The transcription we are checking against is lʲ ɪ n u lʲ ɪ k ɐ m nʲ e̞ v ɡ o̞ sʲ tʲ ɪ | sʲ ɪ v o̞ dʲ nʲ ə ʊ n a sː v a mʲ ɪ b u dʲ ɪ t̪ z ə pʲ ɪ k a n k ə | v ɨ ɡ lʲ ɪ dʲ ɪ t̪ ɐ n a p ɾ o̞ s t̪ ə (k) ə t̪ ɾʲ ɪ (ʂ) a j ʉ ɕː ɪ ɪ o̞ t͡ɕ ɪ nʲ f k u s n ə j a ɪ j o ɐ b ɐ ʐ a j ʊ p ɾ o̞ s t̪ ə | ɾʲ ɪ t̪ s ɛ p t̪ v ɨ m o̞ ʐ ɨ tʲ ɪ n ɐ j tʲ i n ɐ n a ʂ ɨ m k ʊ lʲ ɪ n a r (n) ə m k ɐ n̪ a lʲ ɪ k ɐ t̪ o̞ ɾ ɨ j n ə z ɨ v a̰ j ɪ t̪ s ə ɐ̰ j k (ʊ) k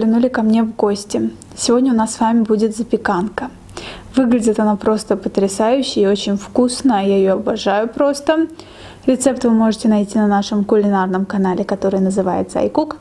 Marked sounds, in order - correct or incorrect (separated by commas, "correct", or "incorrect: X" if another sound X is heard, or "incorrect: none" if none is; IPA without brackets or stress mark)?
incorrect: p, incorrect: s, correct, incorrect: u